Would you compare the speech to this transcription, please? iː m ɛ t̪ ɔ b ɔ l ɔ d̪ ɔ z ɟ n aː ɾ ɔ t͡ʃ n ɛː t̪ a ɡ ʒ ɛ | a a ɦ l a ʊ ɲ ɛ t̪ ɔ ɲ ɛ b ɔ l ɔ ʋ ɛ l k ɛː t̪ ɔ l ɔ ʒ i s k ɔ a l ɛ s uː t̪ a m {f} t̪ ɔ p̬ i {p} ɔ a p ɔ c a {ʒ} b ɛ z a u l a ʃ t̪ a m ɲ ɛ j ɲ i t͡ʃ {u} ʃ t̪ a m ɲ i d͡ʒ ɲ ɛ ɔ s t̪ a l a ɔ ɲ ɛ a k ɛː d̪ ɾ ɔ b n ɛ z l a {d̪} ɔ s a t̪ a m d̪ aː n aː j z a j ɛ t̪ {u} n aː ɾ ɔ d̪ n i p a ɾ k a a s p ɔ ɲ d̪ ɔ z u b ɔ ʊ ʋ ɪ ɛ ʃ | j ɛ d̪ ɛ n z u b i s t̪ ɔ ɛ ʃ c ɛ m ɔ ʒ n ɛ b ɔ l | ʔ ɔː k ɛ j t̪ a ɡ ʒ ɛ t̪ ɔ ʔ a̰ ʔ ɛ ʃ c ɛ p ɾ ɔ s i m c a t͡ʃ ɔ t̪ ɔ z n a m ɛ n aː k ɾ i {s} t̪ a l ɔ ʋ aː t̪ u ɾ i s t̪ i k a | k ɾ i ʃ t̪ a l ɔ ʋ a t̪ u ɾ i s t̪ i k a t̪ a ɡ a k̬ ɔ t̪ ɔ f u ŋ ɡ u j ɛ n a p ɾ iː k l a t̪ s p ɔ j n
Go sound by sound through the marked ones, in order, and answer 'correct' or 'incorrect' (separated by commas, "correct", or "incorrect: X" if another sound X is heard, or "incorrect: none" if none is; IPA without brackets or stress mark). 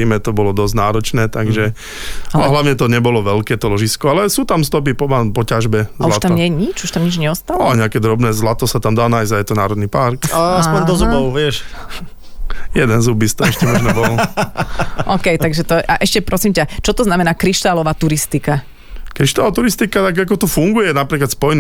incorrect: s, correct, correct, correct, incorrect: t̪, incorrect: ɔ, incorrect: ʃ